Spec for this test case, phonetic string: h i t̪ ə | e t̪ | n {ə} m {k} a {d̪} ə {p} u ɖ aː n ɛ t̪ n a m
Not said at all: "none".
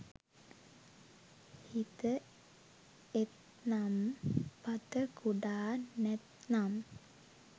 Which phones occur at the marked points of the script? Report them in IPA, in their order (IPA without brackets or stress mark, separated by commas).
a, p, t̪, k